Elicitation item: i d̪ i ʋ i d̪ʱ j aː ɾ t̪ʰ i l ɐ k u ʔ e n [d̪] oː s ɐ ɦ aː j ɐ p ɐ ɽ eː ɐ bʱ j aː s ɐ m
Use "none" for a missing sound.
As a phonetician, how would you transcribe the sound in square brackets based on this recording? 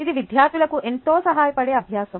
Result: t̪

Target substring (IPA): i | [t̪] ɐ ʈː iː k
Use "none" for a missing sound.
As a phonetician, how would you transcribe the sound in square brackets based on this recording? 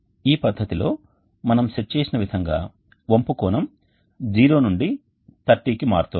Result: t̪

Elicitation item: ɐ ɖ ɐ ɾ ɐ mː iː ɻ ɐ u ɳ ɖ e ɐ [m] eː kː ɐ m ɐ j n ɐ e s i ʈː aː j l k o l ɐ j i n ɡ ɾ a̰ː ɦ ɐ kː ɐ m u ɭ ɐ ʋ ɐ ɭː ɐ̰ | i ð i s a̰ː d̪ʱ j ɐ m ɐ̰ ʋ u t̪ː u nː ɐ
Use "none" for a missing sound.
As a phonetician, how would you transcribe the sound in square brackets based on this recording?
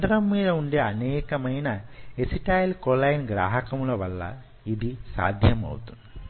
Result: n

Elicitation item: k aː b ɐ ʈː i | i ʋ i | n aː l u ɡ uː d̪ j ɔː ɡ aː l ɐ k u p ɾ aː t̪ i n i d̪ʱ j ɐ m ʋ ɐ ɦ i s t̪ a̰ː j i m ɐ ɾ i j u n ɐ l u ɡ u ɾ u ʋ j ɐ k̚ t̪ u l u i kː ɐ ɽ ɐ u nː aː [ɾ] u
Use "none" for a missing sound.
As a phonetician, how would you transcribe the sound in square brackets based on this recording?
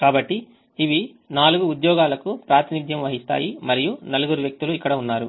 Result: ɾ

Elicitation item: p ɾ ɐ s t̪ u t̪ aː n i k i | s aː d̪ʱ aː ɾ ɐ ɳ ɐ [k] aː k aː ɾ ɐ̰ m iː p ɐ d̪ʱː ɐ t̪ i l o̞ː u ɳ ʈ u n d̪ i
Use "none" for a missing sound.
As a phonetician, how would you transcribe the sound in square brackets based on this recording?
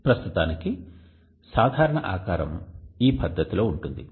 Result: ʔ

